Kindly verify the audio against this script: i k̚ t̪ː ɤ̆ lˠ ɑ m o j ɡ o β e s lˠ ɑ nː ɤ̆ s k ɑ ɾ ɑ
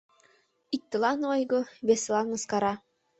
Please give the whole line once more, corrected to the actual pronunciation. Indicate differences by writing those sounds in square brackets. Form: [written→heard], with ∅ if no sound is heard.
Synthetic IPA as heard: i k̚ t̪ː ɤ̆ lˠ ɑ [m→n] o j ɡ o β e s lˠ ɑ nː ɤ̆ s k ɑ ɾ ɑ